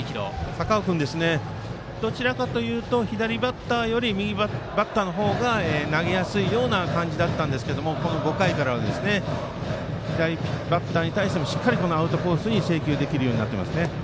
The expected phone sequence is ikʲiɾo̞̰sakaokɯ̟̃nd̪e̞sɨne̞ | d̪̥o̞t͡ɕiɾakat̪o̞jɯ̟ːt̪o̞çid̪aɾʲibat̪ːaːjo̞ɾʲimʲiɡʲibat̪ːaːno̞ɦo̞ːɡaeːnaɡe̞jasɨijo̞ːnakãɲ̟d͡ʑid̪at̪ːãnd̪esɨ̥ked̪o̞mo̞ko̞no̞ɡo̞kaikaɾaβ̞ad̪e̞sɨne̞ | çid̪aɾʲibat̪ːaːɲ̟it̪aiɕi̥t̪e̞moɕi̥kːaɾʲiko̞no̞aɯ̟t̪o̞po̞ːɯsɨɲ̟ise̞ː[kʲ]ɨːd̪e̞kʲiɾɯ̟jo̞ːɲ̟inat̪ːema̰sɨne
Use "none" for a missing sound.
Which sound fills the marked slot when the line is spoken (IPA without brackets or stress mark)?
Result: kʲ